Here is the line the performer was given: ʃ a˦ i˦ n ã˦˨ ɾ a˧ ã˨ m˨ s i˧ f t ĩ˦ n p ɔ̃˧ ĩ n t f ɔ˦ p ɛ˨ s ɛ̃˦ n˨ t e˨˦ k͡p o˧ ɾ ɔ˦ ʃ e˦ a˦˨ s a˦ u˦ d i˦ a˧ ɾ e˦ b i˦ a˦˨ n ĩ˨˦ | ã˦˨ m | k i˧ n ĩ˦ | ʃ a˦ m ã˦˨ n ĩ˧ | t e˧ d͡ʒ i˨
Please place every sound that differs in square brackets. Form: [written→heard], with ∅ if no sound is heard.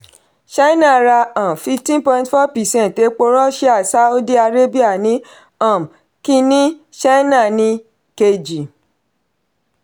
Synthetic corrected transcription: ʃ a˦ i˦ n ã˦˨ ɾ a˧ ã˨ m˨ [s→f] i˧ f t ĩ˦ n p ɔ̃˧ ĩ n t f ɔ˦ p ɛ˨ s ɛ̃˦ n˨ t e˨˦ k͡p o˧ ɾ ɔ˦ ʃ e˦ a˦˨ s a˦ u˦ d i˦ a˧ ɾ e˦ b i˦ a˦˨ n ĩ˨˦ | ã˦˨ m | k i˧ n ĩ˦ | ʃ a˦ [m→n] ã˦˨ n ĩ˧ | [t→k] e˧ d͡ʒ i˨